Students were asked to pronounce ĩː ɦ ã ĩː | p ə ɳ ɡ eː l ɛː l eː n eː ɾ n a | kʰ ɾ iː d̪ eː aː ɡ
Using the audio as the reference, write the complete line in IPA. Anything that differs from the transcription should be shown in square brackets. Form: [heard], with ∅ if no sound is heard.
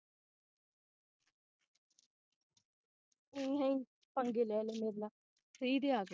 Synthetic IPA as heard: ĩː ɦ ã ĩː | p ə [ŋ] ɡ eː l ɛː l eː [m] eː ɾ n a | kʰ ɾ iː d̪ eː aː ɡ